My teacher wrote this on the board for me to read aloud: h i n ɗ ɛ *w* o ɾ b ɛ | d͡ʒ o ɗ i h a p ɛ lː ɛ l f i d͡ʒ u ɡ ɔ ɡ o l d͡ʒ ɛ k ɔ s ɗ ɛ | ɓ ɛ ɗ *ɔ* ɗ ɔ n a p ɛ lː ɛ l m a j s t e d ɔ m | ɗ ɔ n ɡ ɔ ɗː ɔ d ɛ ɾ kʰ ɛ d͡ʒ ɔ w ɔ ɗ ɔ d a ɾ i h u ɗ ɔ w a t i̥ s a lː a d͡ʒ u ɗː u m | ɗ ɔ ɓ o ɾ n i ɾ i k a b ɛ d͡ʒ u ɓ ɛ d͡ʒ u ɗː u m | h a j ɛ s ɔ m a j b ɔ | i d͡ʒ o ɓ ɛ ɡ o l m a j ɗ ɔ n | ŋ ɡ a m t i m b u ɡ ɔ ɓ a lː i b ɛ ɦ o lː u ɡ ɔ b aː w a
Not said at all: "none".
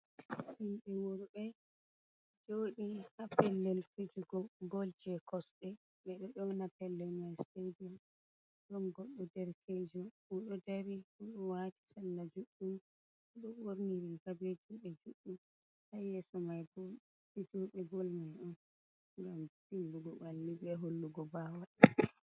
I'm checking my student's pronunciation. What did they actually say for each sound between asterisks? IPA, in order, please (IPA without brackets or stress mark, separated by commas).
w, ɔ